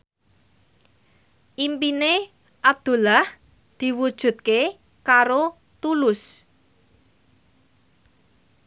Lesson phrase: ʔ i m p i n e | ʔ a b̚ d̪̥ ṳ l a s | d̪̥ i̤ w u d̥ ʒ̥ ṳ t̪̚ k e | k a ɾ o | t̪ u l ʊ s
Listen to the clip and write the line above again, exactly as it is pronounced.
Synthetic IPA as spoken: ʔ i m p i n e | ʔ a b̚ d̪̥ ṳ l a h | d̪̥ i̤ w u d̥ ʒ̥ ṳ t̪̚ k e | k a ɾ o | t̪ u l ʊ s